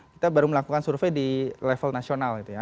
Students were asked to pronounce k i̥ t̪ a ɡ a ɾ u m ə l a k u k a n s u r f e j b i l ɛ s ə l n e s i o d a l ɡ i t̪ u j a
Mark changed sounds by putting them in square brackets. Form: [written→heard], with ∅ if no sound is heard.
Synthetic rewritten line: k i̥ t̪ a [ɡ→b] a ɾ u m ə l a k u k a n s u r f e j [b→d] i l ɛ [s→f] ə l n [e→a] s i o [d→n] a l ɡ i t̪ u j a